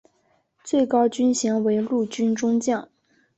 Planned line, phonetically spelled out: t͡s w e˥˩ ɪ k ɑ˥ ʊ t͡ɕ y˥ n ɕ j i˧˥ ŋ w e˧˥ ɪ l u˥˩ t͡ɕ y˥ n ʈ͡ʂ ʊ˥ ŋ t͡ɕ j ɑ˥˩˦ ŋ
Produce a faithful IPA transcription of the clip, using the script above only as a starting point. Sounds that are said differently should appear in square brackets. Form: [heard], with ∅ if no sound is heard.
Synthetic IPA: t͡s w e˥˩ ɪ k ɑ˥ ʊ t͡ɕ y˥ n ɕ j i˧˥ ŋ w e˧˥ ɪ l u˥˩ t͡ɕ y˥ n ʈ͡ʂ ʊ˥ ŋ t͡ɕ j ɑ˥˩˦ ŋ